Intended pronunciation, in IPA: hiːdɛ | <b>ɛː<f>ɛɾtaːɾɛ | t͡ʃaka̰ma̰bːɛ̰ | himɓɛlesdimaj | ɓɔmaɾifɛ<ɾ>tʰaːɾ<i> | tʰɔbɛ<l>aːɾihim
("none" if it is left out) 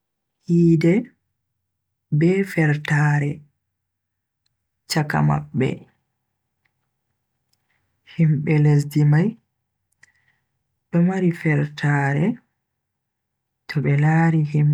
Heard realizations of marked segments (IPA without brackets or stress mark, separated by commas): b, f, ɾ, ɛ, l